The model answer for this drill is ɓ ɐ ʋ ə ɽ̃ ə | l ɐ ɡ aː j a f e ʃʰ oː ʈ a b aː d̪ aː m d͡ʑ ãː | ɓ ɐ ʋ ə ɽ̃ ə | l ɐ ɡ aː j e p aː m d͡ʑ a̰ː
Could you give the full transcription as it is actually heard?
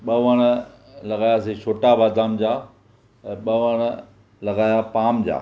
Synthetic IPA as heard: ɓ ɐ ʋ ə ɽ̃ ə | l ɐ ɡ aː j a s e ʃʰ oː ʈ a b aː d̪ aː m d͡ʑ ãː | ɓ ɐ ʋ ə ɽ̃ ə | l ɐ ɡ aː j a p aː m d͡ʑ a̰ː